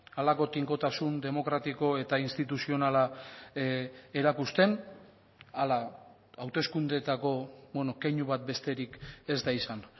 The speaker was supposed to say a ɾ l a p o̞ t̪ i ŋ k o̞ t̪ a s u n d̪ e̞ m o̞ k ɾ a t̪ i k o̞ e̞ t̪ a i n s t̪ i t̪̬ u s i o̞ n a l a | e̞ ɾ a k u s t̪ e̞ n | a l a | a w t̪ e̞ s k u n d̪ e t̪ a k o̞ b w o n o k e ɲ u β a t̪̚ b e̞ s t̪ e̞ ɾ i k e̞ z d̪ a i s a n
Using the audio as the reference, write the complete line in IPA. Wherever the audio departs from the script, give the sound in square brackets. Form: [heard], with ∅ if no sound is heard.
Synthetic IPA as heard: a [∅] l a [k] o̞ t̪ i ŋ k o̞ t̪ a s u n d̪ e̞ m o̞ k ɾ a t̪ i k o̞ e̞ t̪ a i n s t̪ i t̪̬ u s i o̞ n a l a | e̞ ɾ a k u s t̪ e̞ n | a l a | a w t̪ e̞ s k u n d̪ e t̪ a k o̞ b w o n o k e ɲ u β a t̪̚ b e̞ s t̪ e̞ ɾ i k e̞ z d̪ a i s a n